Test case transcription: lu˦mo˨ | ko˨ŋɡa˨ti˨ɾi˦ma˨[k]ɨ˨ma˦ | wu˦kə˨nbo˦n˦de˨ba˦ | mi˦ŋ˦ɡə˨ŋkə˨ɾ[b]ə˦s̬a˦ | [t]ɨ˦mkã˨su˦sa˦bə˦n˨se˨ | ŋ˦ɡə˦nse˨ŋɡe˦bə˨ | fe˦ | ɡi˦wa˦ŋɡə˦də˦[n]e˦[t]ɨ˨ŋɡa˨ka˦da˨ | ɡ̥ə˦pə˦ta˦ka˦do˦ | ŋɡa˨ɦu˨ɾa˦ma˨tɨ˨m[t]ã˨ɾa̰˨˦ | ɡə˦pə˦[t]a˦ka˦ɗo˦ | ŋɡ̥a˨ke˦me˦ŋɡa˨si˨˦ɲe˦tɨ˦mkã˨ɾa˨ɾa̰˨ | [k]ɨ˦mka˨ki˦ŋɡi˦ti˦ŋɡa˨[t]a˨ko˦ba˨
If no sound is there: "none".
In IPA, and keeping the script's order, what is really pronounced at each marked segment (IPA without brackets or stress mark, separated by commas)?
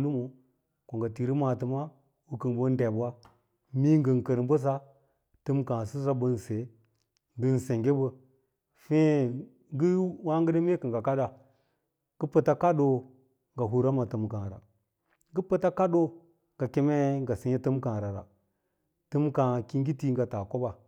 t, b, t, m, k, k, t, t, t